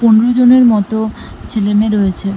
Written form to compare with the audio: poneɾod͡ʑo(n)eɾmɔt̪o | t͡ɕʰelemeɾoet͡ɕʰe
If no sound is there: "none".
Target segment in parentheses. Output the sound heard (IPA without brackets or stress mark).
n